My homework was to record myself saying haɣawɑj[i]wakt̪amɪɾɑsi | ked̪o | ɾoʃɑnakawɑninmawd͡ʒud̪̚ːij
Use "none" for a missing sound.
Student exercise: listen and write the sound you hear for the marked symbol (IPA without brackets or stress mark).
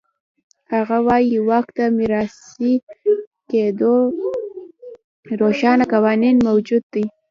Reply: i